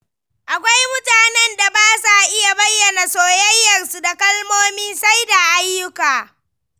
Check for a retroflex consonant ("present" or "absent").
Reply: absent